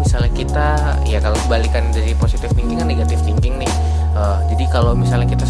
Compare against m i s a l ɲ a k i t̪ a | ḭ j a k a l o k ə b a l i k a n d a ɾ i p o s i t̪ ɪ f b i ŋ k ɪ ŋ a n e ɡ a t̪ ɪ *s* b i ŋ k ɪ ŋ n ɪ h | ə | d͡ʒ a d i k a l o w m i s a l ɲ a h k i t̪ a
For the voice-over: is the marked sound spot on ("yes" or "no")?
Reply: no